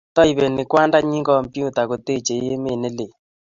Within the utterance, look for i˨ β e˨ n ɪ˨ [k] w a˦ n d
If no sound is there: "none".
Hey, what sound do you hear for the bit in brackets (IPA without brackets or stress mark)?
k